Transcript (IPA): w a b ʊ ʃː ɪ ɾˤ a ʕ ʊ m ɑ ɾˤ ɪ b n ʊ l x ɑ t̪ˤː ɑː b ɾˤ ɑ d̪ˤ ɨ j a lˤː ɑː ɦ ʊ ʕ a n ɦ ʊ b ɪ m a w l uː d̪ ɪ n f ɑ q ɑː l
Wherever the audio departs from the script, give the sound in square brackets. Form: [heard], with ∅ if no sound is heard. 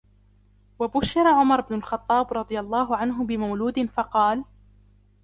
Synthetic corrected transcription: w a b ʊ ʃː ɪ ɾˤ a ʕ ʊ m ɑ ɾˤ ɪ b n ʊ l x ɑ t̪ˤː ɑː b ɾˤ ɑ d̪ˤ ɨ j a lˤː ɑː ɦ ʊ ʕ a n ɦ ʊ b ɪ m a w l uː d̪ ɪ n f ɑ q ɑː l